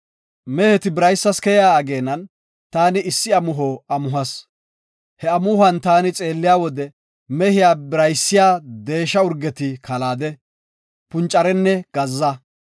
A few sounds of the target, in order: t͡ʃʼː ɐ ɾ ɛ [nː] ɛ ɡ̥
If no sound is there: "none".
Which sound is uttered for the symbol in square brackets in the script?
nː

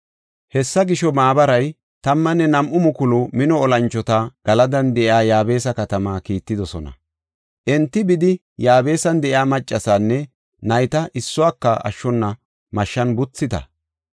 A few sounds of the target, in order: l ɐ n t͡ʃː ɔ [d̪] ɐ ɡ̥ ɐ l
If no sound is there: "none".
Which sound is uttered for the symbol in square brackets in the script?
t̪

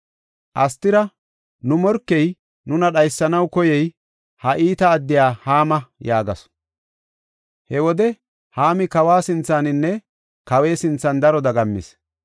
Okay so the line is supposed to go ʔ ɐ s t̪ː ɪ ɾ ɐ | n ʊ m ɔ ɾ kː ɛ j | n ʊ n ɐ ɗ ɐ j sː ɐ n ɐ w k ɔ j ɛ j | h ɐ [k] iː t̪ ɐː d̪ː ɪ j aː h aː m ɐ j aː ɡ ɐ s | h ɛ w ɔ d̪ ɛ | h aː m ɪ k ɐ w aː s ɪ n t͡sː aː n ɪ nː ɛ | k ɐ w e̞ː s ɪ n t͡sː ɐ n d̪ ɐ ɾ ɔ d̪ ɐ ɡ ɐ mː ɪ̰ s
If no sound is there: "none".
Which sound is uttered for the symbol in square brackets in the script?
ʔ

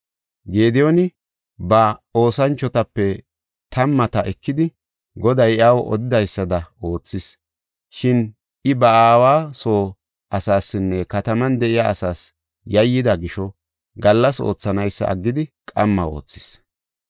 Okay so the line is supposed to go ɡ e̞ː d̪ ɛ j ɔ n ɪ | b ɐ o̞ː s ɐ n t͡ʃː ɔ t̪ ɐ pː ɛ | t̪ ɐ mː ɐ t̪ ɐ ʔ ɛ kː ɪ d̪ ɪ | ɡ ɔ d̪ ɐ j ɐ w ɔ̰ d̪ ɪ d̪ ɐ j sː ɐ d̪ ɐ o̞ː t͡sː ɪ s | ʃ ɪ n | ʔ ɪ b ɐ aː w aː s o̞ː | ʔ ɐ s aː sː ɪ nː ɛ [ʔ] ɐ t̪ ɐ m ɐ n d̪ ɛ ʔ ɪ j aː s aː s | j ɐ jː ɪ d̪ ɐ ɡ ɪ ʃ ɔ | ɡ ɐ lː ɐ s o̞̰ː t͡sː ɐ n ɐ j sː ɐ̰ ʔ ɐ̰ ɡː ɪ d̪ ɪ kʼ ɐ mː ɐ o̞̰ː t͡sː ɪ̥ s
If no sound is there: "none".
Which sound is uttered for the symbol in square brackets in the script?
k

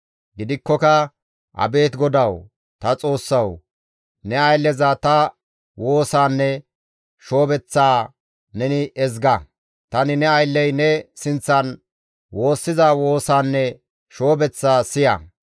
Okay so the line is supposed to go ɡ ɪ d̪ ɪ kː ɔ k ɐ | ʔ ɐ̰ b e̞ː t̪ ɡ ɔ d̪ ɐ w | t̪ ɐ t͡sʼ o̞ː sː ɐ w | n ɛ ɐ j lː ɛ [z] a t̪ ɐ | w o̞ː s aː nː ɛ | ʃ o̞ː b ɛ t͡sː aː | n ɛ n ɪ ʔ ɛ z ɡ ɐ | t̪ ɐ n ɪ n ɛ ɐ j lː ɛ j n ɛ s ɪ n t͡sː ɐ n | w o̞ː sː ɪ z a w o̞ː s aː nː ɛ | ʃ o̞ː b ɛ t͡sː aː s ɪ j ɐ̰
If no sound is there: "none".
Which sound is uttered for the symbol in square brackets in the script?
z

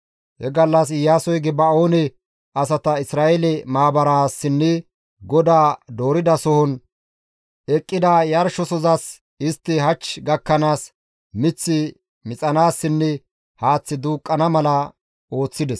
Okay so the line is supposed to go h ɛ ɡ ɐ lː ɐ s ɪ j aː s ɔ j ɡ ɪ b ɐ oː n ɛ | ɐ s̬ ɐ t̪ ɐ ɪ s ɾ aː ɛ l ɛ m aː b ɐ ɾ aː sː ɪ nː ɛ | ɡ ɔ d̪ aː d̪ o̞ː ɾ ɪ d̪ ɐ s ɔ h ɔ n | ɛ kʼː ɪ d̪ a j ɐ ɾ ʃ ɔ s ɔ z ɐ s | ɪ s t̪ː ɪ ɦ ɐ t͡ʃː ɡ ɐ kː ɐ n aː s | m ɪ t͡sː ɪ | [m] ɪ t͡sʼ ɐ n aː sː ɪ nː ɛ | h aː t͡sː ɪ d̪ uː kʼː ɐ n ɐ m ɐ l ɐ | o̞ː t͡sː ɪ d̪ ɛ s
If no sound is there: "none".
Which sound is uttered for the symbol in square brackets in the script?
m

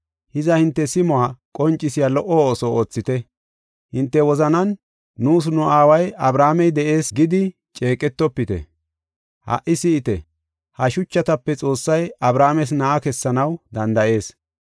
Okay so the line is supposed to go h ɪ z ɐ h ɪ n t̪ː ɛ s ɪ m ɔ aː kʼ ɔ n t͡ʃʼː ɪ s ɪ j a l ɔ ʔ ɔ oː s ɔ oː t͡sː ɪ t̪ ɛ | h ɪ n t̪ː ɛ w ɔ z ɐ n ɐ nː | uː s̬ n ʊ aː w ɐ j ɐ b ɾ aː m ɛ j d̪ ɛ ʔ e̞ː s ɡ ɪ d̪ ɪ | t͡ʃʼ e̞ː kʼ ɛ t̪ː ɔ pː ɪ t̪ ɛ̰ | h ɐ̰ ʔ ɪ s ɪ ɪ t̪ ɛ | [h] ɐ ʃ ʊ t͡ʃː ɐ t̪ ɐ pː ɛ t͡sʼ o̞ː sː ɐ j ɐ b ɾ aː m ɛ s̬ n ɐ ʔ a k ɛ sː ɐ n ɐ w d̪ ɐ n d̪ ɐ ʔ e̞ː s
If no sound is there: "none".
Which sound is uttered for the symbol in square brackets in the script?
h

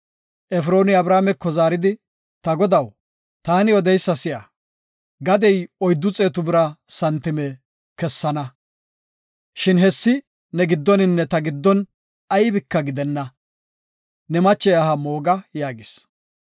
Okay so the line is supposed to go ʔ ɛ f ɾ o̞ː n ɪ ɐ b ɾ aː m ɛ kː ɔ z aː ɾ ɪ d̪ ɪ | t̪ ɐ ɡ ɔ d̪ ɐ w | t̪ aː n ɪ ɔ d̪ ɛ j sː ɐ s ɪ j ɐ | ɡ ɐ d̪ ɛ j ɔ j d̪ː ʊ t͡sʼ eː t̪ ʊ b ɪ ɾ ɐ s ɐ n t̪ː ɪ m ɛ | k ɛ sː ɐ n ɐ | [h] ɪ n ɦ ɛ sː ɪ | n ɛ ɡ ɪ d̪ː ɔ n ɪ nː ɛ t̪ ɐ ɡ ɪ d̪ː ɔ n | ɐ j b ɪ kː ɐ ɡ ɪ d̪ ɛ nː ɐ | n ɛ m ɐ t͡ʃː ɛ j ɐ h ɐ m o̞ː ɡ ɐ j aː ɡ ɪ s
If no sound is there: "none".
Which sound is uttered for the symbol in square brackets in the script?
ʃ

